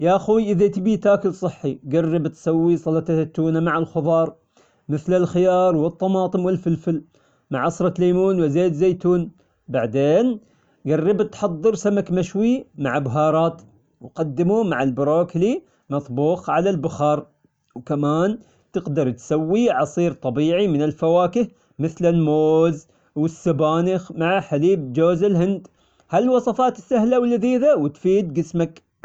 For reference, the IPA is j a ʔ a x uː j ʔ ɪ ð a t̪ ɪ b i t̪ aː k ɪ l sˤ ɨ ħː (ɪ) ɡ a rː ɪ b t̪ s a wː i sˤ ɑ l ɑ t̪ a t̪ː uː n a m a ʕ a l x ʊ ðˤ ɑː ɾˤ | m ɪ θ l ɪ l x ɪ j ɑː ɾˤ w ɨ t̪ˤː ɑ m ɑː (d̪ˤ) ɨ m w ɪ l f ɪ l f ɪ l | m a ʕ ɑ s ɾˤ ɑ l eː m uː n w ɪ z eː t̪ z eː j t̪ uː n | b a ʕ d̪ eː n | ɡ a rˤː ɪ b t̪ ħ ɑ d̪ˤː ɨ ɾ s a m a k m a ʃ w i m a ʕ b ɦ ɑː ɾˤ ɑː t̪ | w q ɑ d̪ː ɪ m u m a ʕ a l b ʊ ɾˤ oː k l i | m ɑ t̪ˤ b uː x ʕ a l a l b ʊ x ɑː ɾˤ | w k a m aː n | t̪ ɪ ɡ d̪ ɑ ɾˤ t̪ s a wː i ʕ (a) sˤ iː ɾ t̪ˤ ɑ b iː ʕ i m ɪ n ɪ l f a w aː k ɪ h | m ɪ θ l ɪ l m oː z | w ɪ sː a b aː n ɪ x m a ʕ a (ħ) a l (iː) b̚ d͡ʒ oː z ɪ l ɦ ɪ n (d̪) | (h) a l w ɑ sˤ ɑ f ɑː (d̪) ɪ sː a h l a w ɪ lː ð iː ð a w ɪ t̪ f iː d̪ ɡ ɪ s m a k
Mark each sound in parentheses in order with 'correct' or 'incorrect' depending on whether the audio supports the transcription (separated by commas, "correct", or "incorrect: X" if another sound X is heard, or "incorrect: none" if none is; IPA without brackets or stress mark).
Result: incorrect: i, incorrect: t̪ˤ, incorrect: ɑ, correct, correct, correct, correct, incorrect: t̪